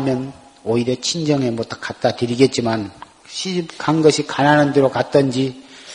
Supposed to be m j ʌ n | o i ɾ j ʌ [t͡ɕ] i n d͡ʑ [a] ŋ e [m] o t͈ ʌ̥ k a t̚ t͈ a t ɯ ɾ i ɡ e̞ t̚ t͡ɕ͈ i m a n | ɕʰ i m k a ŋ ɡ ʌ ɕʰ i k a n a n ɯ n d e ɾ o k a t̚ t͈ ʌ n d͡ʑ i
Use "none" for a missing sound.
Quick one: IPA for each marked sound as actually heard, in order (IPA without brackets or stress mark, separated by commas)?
t͡ɕʰ, ʌ, m